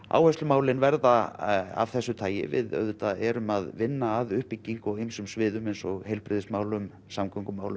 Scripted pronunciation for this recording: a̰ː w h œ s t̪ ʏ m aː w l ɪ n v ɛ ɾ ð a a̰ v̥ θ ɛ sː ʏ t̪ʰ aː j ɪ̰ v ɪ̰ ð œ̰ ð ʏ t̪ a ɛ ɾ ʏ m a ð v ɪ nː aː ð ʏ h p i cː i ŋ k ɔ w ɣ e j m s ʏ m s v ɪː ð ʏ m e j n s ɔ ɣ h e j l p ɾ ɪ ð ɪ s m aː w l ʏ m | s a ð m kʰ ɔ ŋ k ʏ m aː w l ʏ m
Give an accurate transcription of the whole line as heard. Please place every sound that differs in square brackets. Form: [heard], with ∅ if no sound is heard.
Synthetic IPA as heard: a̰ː w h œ s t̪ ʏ m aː w l ɪ n v ɛ ɾ ð a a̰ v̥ θ ɛ sː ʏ t̪ʰ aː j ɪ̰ v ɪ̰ ð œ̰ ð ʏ t̪ a ɛ ɾ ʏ m a ð v ɪ nː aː ð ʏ h p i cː i ŋ k ɔ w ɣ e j m s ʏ m s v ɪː ð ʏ m e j n s ɔ ɣ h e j l p ɾ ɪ ð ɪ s m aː w l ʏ m | s a [∅] m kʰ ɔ ŋ k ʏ m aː w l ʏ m

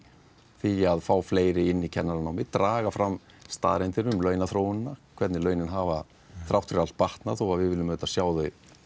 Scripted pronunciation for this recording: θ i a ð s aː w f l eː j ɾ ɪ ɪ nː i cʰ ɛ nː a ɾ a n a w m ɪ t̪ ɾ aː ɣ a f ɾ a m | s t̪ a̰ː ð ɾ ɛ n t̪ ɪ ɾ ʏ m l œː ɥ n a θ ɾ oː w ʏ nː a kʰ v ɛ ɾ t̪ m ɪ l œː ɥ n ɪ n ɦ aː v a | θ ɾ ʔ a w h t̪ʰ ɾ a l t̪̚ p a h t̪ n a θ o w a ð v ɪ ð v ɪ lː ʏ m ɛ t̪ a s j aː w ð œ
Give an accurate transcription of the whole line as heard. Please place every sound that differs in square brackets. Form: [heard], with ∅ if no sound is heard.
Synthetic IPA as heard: θ i a ð [f] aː w f l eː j ɾ ɪ ɪ nː i cʰ ɛ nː a ɾ a n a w m ɪ t̪ ɾ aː ɣ a f ɾ a m | s t̪ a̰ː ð ɾ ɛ n t̪ ɪ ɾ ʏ m l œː ɥ n a θ ɾ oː w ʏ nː a kʰ v ɛ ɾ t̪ [n] ɪ l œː ɥ n ɪ n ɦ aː v a | θ ɾ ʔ a w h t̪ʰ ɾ a l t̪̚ p a h t̪ n a θ o w a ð v ɪ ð v ɪ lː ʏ m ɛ t̪ a s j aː w ð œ

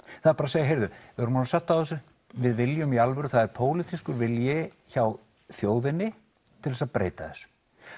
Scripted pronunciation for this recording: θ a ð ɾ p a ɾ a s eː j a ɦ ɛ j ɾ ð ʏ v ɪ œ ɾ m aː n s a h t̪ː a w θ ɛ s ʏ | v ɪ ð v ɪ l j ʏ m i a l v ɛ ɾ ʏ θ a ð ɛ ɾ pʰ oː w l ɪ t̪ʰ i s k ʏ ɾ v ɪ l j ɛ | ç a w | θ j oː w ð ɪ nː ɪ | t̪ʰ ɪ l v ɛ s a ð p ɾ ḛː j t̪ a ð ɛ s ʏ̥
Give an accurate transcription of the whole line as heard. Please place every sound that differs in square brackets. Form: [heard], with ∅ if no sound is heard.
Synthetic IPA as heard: θ a ð ɾ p a ɾ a s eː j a ɦ [e] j ɾ ð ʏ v ɪ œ ɾ m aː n s a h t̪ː a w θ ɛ s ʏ | v ɪ ð v ɪ l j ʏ m i a l v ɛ ɾ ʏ θ a ð ɛ ɾ pʰ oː w l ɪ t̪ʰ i s k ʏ ɾ v ɪ l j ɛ | ç a w | θ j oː w ð ɪ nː ɪ | t̪ʰ ɪ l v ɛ s a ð p ɾ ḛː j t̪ a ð ɛ s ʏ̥

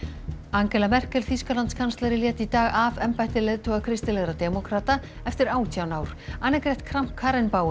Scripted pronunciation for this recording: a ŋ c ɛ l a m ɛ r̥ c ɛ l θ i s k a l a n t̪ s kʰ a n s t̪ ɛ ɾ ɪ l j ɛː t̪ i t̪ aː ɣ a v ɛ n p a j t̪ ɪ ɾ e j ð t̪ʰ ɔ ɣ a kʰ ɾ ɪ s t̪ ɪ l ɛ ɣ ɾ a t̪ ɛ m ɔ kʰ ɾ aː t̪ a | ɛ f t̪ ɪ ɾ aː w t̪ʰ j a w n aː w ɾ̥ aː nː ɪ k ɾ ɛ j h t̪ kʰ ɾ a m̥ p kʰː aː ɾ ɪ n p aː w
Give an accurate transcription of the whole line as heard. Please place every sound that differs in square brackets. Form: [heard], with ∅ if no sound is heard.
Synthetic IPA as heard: a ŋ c ɛ l a m ɛ r̥ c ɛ l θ i s k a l a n t̪ s kʰ a n s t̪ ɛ ɾ ɪ l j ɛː t̪ i t̪ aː ɣ a v ɛ [m] p a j t̪ ɪ [l] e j ð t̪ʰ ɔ ɣ a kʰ ɾ ɪ s t̪ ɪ l ɛ ɣ ɾ a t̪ ɛ m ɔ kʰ ɾ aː t̪ a | ɛ f t̪ ɪ ɾ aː w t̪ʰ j a w n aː w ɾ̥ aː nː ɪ k ɾ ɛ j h t̪ kʰ ɾ a m̥ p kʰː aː ɾ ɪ n p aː w

